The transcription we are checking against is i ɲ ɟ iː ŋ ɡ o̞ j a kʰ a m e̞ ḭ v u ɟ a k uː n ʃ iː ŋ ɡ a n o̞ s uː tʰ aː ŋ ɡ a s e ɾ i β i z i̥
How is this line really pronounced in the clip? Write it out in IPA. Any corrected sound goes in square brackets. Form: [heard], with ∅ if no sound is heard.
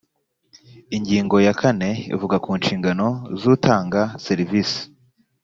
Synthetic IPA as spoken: i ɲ ɟ iː ŋ ɡ o̞ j a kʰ a [n] e̞ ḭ v u [ɡ] a k uː n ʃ iː ŋ ɡ a n o̞ [z] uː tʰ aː ŋ ɡ a s e ɾ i [v] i [s] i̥

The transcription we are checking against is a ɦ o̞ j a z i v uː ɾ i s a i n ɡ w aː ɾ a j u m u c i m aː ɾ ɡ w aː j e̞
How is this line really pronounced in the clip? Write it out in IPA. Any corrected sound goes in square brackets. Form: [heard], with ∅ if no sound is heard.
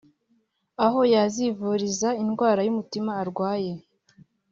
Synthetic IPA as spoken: a ɦ o̞ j a z i v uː ɾ i [z] a i n ɡ w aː ɾ a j u m u [t] i m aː ɾ ɡ w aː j e̞

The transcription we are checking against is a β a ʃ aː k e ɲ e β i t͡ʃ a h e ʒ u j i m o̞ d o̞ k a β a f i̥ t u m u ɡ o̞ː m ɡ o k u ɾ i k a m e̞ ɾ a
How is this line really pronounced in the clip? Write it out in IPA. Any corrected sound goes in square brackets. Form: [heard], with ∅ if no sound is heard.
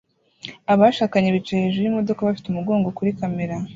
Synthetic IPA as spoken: a β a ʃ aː k [a] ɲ e β i t͡ʃ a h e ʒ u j i m o̞ d o̞ k a β a f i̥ t u m u ɡ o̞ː [ŋ] ɡ o k u ɾ i k a m e̞ ɾ a

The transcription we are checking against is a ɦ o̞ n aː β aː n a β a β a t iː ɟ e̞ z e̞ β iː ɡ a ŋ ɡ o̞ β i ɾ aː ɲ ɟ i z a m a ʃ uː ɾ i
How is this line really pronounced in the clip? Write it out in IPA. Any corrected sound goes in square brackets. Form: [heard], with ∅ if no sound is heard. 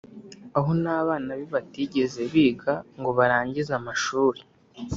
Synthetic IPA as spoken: a ɦ o̞ n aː β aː n a β [i] β a t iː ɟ e̞ z e̞ β iː ɡ a ŋ ɡ o̞ β [a] ɾ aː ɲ ɟ i z a m a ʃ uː ɾ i

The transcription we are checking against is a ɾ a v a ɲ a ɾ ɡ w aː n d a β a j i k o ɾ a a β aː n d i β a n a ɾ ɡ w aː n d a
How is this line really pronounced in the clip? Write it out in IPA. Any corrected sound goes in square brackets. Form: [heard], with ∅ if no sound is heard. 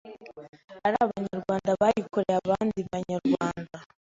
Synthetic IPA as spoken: a ɾ a [β] a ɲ a ɾ ɡ w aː n d a β a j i k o ɾ [e] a β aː n d i β a [ɲ] a ɾ ɡ w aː n d a

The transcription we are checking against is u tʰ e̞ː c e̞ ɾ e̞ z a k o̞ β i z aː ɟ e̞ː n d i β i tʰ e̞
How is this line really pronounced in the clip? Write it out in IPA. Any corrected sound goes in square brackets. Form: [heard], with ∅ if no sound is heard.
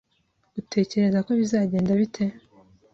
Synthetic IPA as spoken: u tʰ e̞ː c e̞ ɾ e̞ z a k o̞ β i z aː ɟ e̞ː n d [a] β i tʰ e̞

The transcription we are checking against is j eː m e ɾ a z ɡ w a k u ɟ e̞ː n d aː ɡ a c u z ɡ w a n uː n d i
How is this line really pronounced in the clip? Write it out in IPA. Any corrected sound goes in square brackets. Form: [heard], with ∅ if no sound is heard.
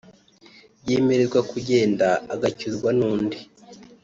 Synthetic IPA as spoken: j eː m e ɾ [e] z ɡ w a k u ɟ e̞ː n d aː ɡ a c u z ɡ w a n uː n d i

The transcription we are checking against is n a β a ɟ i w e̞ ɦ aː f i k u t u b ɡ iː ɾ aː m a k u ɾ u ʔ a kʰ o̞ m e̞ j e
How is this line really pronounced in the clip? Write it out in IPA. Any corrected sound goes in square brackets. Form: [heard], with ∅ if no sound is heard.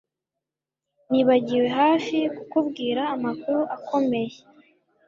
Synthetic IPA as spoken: n [i] β a ɟ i w e̞ ɦ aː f i k u [k] u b ɡ iː ɾ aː m a k u ɾ u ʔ a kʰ o̞ m e̞ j e

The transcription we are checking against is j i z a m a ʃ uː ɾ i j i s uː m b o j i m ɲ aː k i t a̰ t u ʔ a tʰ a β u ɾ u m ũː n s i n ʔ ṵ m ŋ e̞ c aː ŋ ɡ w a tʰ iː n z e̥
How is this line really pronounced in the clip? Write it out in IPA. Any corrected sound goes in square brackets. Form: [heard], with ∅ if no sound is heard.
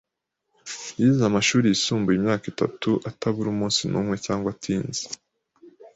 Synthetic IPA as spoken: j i z a m a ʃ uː ɾ i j i s uː m b [u] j i m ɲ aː k i t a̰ t u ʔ a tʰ a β u ɾ u m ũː n s i n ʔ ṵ m ŋ e̞ c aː ŋ ɡ w a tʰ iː n z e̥

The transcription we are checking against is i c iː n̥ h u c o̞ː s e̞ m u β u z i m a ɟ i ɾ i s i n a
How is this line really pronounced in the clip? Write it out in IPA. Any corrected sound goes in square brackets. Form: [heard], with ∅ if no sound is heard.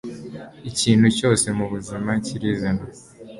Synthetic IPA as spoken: i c iː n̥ h u c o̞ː s e̞ m u β u z i m a [c] i ɾ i [z] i n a

